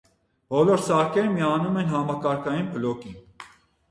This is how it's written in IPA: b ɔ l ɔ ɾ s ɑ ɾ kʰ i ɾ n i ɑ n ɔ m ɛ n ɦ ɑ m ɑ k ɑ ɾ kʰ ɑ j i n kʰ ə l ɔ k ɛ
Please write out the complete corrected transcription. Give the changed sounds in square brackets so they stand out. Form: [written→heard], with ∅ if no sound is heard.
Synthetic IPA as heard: b ɔ l ɔ ɾ s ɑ ɾ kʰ [i→ɛ] ɾ [n→m] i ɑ n [ɔ→u] m ɛ n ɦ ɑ m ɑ k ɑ ɾ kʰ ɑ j i n [kʰ→pʰ] ə l ɔ k [ɛ→i]